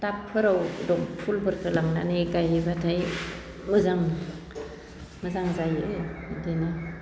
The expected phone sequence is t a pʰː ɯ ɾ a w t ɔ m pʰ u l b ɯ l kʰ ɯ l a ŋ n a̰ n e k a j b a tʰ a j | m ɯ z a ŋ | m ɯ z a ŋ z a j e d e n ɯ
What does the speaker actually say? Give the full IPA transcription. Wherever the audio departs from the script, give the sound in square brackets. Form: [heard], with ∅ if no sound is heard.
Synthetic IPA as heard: t a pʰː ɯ ɾ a w [d] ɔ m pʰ u l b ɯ [ɾ] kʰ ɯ l a ŋ n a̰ n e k a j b a tʰ a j | m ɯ z a ŋ | m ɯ z a ŋ z a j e d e n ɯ

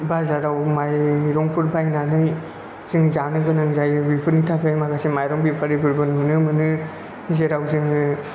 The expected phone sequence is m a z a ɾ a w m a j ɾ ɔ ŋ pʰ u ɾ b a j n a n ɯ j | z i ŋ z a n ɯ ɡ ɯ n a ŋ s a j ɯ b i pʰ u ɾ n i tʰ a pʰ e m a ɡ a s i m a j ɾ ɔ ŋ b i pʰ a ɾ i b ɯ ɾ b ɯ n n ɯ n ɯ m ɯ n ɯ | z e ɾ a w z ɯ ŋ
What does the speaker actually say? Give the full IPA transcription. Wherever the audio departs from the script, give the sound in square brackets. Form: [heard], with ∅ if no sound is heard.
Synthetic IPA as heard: [b] a z a ɾ a w m a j ɾ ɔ ŋ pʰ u ɾ b a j n a n ɯ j | z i ŋ z a n ɯ ɡ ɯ n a ŋ [z] a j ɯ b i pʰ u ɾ n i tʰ a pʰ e m a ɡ a s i m a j ɾ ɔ ŋ b i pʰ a ɾ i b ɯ ɾ b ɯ n [m] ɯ n ɯ m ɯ n ɯ | z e ɾ a w z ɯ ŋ

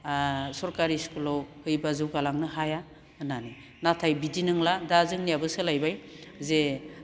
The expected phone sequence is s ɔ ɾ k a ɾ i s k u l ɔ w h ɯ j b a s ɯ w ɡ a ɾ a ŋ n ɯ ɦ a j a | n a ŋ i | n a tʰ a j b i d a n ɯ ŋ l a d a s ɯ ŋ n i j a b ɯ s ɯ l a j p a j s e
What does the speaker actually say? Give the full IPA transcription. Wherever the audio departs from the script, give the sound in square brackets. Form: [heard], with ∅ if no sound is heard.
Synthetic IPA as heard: s ɔ ɾ k a ɾ i s k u l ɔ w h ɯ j b a [z] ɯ w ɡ a [l] a ŋ n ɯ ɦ a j a | n a [n] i | n a tʰ a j b i d [i] n ɯ ŋ l a d a [z] ɯ ŋ n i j a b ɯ s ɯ l a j [b] a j [z] e

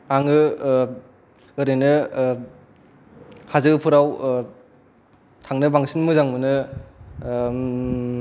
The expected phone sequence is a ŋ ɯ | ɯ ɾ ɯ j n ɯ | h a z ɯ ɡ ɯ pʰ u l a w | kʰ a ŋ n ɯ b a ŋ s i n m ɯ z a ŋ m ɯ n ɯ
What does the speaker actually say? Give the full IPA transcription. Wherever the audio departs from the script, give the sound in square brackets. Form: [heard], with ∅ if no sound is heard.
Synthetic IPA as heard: a ŋ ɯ | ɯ ɾ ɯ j n ɯ | h a z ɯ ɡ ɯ pʰ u [ɾ] a w | [tʰ] a ŋ n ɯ b a ŋ s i n m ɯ z a ŋ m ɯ n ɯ

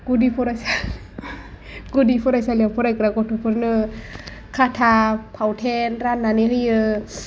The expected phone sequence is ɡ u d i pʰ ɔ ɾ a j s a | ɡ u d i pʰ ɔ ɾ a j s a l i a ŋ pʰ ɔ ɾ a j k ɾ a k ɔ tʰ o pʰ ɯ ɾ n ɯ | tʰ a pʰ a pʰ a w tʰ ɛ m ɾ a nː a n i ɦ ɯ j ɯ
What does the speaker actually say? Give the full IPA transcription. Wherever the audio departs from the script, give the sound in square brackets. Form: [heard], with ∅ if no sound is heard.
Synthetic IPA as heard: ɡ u d i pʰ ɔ ɾ a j s a | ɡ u d i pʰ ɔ ɾ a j s a l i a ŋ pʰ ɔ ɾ a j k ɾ a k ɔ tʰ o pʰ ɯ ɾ n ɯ | [kʰ] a [tʰ] a pʰ a w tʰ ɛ [n] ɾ a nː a n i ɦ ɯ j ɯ

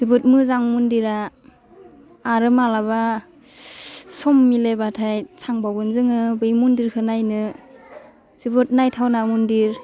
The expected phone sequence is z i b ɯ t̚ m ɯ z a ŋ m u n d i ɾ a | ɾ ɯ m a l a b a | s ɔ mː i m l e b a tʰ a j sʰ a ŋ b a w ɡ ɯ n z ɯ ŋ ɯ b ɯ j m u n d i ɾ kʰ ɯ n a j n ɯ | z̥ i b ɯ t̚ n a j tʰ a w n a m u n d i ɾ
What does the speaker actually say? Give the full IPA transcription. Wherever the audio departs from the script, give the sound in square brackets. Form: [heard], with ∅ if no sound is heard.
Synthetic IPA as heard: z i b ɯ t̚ m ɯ z a ŋ m u n d i ɾ a | ɾ ɯ m a l a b a | s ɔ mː i [∅] l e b a tʰ a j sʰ a ŋ b a w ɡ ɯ n z ɯ ŋ ɯ b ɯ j m u n d i ɾ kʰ ɯ n a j n ɯ | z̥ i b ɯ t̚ n a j tʰ a w n a m u n d i ɾ

